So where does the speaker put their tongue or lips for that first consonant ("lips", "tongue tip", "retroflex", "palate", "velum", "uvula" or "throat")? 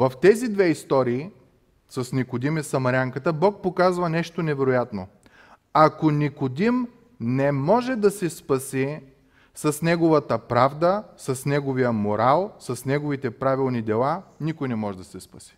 lips